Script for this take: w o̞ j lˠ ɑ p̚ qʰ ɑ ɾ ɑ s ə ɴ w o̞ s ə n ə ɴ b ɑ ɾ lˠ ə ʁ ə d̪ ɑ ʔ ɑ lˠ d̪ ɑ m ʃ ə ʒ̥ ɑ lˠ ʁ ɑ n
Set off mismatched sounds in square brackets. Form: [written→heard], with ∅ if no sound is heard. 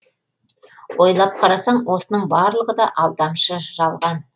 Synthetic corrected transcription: w o̞ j lˠ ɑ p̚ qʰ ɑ ɾ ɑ s [ə→ɑ] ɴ w o̞ s ə n ə ɴ b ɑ ɾ lˠ ə ʁ ə d̪ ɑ ʔ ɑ lˠ d̪ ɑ m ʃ ə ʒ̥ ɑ lˠ ʁ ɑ n

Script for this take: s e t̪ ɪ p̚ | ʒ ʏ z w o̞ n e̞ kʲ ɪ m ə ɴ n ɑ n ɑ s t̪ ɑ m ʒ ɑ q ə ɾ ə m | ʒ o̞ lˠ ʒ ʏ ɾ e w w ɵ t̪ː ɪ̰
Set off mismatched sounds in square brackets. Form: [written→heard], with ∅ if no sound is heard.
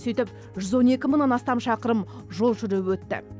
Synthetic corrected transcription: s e t̪ ɪ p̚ | ʒ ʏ z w o̞ n e̞ kʲ ɪ m ə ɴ n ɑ n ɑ s t̪ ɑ m [ʒ→ʃ] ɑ q ə ɾ ə m | ʒ o̞ lˠ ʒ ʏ ɾ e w w ɵ t̪ː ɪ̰

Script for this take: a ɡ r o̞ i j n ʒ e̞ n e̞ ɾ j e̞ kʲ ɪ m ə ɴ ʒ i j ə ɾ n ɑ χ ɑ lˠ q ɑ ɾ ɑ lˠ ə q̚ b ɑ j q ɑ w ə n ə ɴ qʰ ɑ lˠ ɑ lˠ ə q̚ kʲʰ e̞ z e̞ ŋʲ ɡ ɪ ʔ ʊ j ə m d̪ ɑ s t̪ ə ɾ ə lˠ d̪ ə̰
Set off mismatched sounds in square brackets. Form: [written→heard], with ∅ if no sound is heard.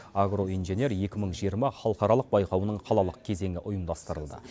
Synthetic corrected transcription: a ɡ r o̞ i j n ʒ e̞ n e̞ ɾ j e̞ kʲ ɪ m ə ɴ ʒ i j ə ɾ [n→m] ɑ χ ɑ lˠ q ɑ ɾ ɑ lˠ ə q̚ b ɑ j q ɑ w ə n ə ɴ qʰ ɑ lˠ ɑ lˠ ə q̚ kʲʰ e̞ z e̞ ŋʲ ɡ ɪ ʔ ʊ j ə m d̪ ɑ s t̪ ə ɾ ə lˠ d̪ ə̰

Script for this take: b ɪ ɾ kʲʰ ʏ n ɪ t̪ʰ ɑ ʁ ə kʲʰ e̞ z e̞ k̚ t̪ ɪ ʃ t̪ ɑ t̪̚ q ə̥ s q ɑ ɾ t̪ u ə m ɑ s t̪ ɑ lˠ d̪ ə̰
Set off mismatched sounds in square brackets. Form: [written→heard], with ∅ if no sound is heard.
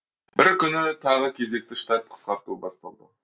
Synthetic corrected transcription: b ɪ ɾ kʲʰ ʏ n ɪ t̪ʰ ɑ ʁ ə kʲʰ e̞ z e̞ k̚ t̪ ɪ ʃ t̪ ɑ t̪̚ [q→qʰ] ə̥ s q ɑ ɾ t̪ u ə [m→b] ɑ s t̪ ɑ lˠ d̪ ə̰

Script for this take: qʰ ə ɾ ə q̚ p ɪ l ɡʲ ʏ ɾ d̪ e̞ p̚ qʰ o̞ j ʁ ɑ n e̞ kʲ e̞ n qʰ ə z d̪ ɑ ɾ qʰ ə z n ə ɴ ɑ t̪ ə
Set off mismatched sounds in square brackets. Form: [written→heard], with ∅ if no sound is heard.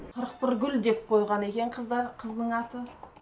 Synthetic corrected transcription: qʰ ə ɾ ə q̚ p ɪ [l→ɾ] ɡʲ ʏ [ɾ→l] d̪ e̞ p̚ qʰ o̞ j ʁ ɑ n e̞ kʲ e̞ [n→ɴ] qʰ ə z d̪ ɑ ɾ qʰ ə z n ə ɴ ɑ t̪ ə

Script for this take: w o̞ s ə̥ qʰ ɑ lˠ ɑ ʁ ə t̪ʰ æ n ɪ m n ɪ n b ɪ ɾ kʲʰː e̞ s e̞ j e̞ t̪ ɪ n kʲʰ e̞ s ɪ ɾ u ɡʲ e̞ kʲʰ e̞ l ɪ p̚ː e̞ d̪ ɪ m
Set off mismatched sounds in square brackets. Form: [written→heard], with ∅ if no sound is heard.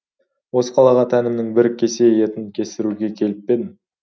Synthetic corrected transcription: w o̞ s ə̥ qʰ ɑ lˠ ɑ ʁ [ə→ɑ] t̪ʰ æ n ɪ m n ɪ [n→ŋ] b ɪ ɾ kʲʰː e̞ s e̞ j e̞ t̪ ɪ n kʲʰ e̞ s ɪ ɾ u ɡʲ e̞ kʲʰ e̞ l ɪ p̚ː e̞ d̪ ɪ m

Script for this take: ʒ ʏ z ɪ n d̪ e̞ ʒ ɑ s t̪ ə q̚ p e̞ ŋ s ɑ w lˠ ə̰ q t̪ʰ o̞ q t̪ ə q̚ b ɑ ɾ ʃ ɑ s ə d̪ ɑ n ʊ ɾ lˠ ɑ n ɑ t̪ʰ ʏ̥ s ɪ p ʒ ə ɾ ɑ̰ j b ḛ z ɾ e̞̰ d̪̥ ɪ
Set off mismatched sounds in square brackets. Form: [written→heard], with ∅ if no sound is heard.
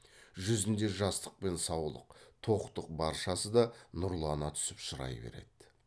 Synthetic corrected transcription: ʒ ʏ z ɪ n d̪ e̞ ʒ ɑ s t̪ ə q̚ p e̞ [ŋ→n] s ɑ w lˠ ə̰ q t̪ʰ o̞ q t̪ ə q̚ b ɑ ɾ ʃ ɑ s ə d̪ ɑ n ʊ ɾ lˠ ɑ n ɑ t̪ʰ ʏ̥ s ɪ p [ʒ→ʃ] ə ɾ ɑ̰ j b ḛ [z→∅] ɾ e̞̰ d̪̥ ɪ

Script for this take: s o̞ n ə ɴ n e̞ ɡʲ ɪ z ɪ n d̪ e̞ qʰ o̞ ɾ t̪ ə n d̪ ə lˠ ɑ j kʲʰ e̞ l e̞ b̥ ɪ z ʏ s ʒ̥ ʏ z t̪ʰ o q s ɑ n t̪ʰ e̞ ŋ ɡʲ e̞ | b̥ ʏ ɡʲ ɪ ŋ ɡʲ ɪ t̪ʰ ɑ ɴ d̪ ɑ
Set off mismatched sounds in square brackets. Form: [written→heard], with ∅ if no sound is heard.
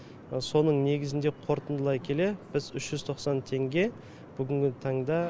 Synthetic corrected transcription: s o̞ n ə ɴ n e̞ ɡʲ ɪ z ɪ n d̪ e̞ qʰ o̞ ɾ t̪ ə n d̪ ə lˠ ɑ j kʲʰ e̞ l e̞ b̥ ɪ z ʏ [s→ʃ] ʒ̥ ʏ z t̪ʰ o q s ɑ n t̪ʰ e̞ ŋ ɡʲ e̞ | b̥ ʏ ɡʲ ɪ ŋ ɡʲ ɪ t̪ʰ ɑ ɴ d̪ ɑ

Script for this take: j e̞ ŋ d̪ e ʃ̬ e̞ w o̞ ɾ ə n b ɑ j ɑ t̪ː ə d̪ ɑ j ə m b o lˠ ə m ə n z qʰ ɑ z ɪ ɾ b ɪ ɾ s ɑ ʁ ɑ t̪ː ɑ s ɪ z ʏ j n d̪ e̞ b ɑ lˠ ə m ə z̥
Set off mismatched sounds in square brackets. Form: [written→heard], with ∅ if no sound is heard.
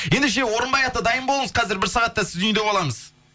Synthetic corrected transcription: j e̞ [ŋ→n] d̪ e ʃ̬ e̞ w o̞ ɾ ə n b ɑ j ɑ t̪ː ə d̪ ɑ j ə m b o lˠ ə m ə [n→∅] z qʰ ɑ z ɪ ɾ b ɪ ɾ s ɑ ʁ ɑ t̪ː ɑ s ɪ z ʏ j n d̪ e̞ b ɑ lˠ [ə→ɑ] m ə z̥

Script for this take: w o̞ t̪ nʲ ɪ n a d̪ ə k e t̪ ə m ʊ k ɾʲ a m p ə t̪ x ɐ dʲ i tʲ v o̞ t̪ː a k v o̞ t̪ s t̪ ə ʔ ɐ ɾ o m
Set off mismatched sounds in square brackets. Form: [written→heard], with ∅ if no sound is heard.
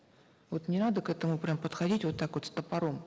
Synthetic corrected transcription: [w→v] o̞ t̪ nʲ ɪ n a d̪ ə k [e→ɛ] t̪ ə m ʊ [k→p] ɾʲ a m p ə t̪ x ɐ dʲ i tʲ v o̞ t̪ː a k v o̞ t̪ s t̪ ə [ʔ→p] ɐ ɾ o m

